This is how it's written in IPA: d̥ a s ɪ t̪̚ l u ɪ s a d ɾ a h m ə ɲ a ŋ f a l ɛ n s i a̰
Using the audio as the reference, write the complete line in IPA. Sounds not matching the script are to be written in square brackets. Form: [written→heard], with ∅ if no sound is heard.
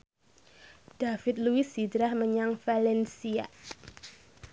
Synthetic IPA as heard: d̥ a [s→f] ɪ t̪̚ l u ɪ s [a→i] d ɾ a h m ə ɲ a ŋ f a l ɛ n s i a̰